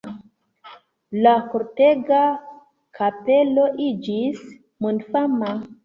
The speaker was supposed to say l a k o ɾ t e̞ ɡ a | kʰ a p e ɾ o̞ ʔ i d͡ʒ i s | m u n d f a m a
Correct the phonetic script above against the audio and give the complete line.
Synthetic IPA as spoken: l a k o ɾ t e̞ ɡ a | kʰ a p e l o̞ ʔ i d͡ʒ i s | m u n d f a m a